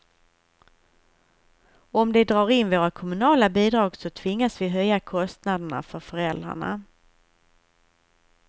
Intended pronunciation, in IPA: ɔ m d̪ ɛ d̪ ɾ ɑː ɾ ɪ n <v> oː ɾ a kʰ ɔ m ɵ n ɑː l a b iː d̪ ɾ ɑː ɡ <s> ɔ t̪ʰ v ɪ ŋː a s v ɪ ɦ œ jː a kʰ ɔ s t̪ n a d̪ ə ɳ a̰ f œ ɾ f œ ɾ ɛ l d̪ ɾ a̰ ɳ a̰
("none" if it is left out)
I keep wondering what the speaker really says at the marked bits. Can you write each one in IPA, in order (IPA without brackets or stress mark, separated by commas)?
v, s